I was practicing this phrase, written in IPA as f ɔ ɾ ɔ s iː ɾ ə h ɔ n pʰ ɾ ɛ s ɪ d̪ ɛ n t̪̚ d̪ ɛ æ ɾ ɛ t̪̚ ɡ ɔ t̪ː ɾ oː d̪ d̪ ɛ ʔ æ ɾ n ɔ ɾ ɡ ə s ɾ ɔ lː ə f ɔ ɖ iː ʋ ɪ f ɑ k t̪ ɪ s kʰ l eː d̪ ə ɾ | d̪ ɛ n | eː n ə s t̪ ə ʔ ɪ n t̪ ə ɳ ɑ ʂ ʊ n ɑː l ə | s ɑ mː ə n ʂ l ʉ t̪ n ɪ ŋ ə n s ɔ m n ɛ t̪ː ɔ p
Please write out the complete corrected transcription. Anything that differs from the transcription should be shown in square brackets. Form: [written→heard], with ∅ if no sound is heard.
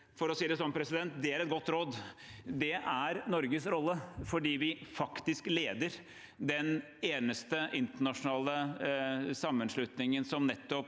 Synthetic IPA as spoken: f ɔ ɾ ɔ s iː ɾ ə [h→s] ɔ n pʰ ɾ ɛ s ɪ d̪ ɛ n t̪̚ d̪ ɛ æ ɾ ɛ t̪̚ ɡ ɔ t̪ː ɾ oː d̪ d̪ ɛ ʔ æ ɾ n ɔ ɾ ɡ ə s ɾ ɔ lː ə f ɔ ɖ iː ʋ ɪ f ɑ k t̪ ɪ s [kʰ→k] l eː d̪ ə ɾ | d̪ ɛ n | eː n ə s t̪ ə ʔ ɪ n t̪ ə ɳ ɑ ʂ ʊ n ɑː l ə | s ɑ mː ə n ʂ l ʉ t̪ n ɪ ŋ ə n s ɔ m n ɛ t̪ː ɔ p